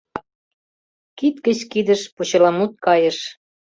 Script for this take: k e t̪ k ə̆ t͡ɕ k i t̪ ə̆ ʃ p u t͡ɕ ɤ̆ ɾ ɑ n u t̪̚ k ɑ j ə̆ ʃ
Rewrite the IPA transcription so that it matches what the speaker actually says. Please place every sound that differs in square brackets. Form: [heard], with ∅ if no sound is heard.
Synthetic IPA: k [i] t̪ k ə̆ t͡ɕ k i [d̪] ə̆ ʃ p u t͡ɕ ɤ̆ [l] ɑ [m] u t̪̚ k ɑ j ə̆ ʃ